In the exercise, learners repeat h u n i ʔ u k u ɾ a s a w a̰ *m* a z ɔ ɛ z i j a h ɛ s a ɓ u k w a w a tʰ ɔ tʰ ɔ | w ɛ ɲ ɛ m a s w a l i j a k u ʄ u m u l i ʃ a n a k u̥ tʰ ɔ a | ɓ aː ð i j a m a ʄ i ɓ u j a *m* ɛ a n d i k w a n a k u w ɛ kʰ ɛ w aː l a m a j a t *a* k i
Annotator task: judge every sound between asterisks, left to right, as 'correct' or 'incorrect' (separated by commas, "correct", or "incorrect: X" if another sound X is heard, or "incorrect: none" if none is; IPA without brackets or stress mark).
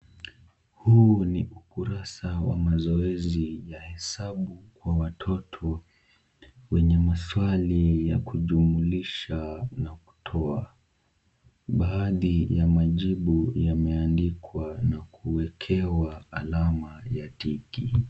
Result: correct, correct, incorrect: i